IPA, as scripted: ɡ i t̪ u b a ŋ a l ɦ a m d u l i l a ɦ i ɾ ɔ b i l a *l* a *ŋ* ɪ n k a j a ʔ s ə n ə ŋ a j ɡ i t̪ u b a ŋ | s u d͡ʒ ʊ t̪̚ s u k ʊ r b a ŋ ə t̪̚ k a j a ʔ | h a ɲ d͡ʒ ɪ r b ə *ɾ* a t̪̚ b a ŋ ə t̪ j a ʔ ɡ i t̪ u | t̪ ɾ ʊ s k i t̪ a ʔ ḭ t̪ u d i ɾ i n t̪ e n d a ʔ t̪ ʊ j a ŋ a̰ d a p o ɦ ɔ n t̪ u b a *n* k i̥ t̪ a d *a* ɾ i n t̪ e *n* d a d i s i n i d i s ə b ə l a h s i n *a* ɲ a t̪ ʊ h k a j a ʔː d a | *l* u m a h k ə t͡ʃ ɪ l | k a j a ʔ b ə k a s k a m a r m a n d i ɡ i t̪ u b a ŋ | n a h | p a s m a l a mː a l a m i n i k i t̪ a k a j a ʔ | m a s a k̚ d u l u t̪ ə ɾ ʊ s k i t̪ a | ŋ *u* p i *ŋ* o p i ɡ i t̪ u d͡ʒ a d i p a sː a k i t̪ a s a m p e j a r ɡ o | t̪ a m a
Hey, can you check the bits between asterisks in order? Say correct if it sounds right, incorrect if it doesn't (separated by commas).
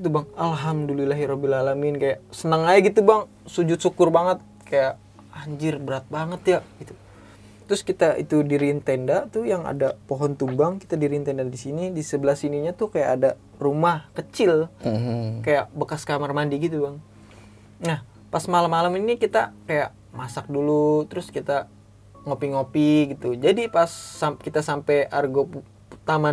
correct, incorrect, correct, incorrect, incorrect, correct, incorrect, incorrect, incorrect, correct